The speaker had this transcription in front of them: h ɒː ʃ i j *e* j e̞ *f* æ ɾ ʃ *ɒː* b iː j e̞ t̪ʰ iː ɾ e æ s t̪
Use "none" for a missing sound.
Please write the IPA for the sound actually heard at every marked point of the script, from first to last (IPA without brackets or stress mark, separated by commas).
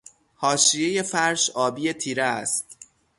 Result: e, f, ɒː